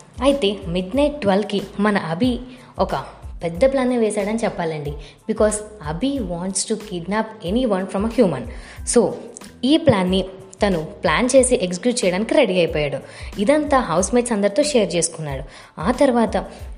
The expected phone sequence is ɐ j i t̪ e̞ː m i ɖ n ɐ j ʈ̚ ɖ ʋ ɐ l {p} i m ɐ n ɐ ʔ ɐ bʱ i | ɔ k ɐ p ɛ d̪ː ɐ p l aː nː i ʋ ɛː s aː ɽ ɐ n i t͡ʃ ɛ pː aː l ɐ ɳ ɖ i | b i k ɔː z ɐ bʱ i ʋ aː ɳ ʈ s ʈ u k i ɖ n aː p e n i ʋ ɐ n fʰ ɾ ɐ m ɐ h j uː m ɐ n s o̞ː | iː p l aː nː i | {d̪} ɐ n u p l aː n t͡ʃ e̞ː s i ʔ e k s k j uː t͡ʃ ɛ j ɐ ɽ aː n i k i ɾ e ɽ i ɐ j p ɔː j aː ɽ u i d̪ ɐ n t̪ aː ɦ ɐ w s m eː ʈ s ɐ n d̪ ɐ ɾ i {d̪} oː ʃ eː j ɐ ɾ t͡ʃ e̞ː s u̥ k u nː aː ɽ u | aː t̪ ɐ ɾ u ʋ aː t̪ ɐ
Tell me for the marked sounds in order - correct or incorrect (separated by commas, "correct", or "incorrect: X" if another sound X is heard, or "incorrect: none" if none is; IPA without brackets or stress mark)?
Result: incorrect: k, incorrect: t̪, incorrect: t̪